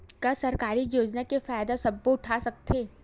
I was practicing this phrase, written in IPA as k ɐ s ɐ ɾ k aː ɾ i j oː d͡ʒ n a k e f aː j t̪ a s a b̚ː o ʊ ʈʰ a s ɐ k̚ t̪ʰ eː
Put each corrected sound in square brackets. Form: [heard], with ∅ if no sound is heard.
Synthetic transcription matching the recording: k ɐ s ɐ ɾ k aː ɾ i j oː d͡ʒ n a k e f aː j [d̪] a s [ɐ] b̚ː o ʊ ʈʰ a s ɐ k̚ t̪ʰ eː